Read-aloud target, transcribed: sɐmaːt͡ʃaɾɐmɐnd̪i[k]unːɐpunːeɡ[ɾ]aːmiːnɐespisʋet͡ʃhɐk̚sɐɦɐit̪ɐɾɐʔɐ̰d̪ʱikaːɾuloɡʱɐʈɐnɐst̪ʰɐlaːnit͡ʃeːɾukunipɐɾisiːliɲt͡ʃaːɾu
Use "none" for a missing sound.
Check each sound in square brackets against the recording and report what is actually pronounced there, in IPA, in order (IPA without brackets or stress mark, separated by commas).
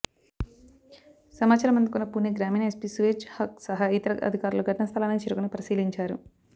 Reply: k, ɾ